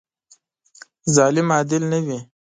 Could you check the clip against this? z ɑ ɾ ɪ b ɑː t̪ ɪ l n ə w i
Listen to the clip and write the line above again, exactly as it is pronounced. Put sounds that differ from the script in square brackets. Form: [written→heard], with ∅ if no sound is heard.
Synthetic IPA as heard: z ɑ [ɾ→l] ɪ [b→m] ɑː [t̪→d̪] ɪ l n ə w i